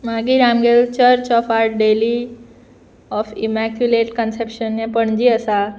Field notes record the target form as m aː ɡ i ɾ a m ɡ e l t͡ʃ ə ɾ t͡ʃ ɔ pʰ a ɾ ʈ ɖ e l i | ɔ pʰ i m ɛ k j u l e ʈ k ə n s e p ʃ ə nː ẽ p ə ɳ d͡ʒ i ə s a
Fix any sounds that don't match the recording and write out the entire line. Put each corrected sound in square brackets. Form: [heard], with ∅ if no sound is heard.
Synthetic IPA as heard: m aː ɡ i ɾ a m ɡ e l t͡ʃ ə ɾ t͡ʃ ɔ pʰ a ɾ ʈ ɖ e l i | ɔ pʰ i m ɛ k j u l e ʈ k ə n s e p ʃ ə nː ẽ p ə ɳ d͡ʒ i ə s a